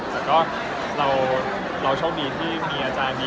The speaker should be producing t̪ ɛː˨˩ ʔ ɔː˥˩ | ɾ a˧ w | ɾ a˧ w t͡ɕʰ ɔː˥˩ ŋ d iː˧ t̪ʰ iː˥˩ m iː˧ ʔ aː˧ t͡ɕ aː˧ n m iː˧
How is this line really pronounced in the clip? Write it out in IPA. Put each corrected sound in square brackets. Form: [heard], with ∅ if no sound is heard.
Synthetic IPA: t̪ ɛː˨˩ [k] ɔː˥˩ | ɾ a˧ w | ɾ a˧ w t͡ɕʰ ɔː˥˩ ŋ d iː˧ t̪ʰ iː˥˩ m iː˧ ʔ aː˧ t͡ɕ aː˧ n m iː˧